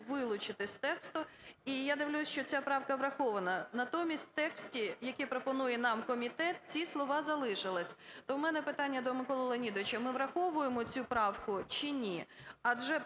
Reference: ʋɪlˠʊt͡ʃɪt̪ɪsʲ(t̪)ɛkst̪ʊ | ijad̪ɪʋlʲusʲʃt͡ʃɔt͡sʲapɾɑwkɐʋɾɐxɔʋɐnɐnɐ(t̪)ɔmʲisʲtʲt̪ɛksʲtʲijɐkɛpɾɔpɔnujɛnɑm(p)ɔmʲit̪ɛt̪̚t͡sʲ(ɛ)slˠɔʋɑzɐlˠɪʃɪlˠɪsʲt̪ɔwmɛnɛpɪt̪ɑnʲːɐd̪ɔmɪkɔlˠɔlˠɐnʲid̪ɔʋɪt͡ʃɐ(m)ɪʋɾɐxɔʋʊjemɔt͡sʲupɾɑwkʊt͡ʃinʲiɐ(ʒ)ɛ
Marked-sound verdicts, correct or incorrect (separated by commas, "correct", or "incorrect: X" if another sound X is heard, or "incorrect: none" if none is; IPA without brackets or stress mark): correct, correct, incorrect: k, incorrect: i, correct, correct